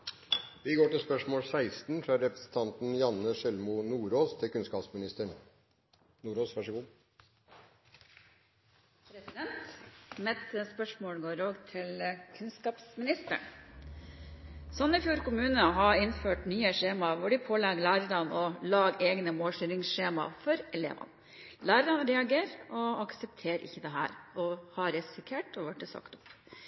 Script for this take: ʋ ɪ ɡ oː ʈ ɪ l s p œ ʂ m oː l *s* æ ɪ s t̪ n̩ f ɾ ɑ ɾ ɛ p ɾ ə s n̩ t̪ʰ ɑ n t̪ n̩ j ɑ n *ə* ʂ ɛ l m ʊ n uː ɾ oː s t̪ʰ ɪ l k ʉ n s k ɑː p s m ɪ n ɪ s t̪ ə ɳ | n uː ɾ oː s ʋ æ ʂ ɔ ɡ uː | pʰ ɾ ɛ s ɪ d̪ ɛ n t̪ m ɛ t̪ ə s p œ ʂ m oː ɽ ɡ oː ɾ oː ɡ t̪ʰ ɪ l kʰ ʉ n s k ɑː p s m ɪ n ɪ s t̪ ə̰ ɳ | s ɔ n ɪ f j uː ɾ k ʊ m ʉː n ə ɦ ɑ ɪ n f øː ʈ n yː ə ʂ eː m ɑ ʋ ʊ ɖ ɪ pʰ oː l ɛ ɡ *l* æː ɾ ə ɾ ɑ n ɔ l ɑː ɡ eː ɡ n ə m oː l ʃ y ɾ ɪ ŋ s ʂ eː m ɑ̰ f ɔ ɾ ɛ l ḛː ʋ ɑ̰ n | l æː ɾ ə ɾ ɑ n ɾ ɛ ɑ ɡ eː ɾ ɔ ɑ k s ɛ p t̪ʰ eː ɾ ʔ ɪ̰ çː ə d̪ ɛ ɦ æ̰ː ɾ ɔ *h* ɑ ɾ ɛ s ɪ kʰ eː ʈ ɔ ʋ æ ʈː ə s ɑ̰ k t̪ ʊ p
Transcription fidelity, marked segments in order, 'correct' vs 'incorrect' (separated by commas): correct, correct, correct, correct